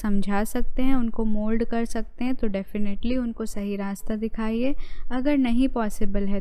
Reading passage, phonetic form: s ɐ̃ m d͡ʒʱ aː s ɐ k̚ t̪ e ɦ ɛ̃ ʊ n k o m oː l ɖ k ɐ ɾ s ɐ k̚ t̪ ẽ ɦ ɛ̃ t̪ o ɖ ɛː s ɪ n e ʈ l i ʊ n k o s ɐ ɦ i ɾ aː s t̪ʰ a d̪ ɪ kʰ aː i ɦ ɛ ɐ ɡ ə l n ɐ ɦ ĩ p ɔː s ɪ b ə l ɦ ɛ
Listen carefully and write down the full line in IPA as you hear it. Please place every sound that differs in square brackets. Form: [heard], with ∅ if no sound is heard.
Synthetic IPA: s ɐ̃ m d͡ʒʱ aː s ɐ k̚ t̪ e ɦ ɛ̃ ʊ n k o m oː l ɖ k ɐ ɾ s ɐ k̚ t̪ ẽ ɦ ɛ̃ t̪ o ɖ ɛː [f] ɪ n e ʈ l i ʊ n k o s ɐ ɦ i ɾ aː s [t̪] a d̪ ɪ kʰ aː i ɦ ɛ ɐ ɡ ə [ɾ] n ɐ ɦ ĩ p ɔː s ɪ b ə l ɦ ɛ